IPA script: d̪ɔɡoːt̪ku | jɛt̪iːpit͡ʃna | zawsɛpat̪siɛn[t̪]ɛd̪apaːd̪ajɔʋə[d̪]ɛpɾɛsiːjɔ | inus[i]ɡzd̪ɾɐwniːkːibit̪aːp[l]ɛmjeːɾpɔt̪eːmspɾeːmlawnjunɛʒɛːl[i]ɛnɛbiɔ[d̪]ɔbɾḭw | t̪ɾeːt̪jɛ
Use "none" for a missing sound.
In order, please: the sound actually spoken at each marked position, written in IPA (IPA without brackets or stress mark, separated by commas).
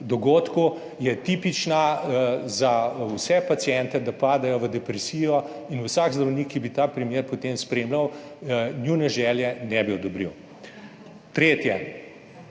t̪, d̪, a, ɾ, j, d̪